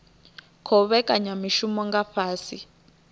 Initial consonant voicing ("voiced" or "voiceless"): voiceless